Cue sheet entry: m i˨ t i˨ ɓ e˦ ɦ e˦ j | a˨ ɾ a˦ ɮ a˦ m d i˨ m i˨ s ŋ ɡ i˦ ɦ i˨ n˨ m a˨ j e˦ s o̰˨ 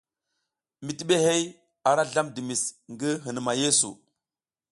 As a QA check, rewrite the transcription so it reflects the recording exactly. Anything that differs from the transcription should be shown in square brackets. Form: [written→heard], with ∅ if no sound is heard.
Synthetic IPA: m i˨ t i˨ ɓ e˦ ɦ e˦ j | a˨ ɾ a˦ ɮ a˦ m d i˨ m i˨ s ŋ ɡ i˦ ɦ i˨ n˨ m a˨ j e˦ s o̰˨